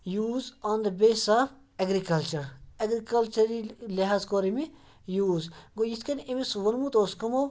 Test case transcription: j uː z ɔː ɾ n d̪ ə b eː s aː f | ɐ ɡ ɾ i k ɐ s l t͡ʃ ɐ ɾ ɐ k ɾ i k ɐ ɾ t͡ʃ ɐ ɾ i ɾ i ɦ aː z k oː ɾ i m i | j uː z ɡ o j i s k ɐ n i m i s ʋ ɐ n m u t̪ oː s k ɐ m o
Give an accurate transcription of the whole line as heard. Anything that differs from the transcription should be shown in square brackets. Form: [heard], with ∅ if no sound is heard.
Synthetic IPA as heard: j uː z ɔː [∅] n d̪ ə b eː s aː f | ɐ ɡ ɾ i k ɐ [∅] l t͡ʃ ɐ ɾ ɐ [ɡ] ɾ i k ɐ [l] t͡ʃ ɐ ɾ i [l] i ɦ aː z k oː ɾ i m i | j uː z ɡ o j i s k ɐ n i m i s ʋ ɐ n m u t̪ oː s k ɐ m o